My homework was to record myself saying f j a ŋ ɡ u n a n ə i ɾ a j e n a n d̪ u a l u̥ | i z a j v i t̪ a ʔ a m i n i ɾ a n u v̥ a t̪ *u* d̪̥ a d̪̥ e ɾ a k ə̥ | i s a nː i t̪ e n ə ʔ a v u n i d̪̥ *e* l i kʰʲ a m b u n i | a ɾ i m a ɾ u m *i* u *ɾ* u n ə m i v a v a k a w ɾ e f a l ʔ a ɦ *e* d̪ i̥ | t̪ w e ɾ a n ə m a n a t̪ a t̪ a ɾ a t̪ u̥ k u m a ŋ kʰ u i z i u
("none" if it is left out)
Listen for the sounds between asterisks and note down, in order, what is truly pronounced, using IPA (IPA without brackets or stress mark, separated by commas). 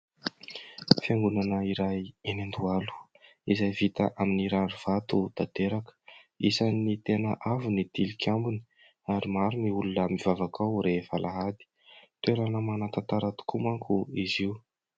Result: u, i, i, l, a